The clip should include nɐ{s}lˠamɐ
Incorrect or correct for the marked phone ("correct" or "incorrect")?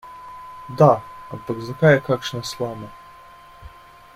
correct